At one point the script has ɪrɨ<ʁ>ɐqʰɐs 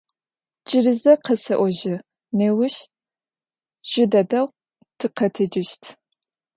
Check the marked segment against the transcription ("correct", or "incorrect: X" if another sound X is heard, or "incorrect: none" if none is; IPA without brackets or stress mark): incorrect: z